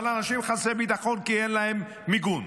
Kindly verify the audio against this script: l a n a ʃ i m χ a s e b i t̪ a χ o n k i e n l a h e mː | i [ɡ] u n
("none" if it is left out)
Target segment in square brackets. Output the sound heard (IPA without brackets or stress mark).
ɡ